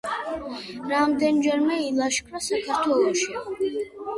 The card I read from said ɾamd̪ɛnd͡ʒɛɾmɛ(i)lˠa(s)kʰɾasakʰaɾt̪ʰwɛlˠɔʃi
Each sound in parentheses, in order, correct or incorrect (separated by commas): correct, incorrect